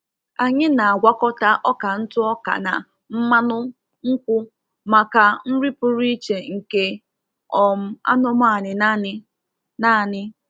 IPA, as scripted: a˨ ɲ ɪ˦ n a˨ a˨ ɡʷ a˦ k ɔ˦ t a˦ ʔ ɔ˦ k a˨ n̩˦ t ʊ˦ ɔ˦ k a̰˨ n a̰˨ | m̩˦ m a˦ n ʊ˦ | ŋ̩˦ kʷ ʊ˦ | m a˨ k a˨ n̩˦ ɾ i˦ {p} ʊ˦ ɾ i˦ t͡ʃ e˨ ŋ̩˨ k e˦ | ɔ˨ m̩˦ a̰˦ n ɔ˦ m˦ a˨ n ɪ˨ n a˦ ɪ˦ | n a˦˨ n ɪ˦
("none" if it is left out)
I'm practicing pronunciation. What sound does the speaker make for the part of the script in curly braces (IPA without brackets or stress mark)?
p